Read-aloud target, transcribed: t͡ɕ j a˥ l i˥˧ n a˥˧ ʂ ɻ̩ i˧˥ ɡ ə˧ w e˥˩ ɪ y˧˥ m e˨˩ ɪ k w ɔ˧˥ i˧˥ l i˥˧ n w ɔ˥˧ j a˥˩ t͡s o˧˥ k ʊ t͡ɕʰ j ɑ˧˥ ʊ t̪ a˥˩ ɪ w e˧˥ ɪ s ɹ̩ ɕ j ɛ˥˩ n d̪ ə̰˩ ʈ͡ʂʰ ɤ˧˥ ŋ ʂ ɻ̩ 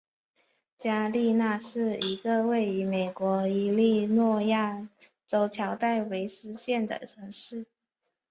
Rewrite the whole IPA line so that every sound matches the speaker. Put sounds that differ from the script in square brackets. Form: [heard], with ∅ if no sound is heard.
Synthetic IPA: t͡ɕ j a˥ l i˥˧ n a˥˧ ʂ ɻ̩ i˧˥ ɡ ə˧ w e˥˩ ɪ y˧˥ m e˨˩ ɪ k w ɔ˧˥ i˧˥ l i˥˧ n w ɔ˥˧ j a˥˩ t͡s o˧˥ [∅] ʊ t͡ɕʰ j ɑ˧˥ ʊ t̪ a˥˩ ɪ w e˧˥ ɪ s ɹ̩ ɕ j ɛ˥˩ n d̪ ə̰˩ ʈ͡ʂʰ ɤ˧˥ ŋ ʂ ɻ̩